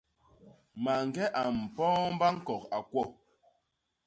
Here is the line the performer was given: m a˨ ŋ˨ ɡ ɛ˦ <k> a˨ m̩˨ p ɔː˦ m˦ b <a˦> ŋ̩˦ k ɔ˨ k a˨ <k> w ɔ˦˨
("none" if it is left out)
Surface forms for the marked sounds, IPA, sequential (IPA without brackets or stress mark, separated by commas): ʔ, a˦, k